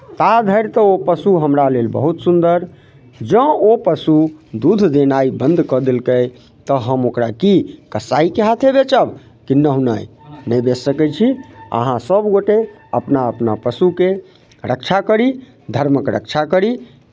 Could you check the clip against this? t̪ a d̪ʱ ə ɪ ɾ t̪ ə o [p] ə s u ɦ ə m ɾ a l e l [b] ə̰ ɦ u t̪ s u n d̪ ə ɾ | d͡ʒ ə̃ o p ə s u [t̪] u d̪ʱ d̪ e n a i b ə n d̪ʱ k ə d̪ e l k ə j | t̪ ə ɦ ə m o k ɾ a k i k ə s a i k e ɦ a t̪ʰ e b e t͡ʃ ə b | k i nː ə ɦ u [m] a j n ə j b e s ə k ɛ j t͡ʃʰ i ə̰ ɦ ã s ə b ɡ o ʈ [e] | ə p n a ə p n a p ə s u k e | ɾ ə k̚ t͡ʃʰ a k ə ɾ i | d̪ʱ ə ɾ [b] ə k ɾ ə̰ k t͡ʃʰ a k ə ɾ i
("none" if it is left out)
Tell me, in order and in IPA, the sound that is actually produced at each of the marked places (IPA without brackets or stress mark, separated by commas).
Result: p, b, d̪, n, e, m